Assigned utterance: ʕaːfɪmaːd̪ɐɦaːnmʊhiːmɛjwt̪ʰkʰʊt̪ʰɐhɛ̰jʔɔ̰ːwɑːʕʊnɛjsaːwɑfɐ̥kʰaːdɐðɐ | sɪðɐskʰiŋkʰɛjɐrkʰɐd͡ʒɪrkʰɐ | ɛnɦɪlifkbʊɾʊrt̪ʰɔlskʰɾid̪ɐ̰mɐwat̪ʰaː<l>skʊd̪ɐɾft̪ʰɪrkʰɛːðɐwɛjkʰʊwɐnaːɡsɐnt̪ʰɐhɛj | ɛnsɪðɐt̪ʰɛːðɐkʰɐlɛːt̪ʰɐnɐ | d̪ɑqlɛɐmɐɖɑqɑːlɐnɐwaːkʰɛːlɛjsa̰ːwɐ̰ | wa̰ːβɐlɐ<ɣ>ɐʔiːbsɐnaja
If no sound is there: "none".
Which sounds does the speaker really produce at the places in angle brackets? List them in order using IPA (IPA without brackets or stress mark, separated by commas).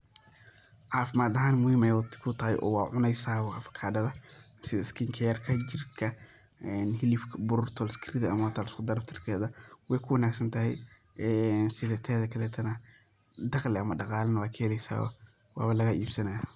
l, ɣ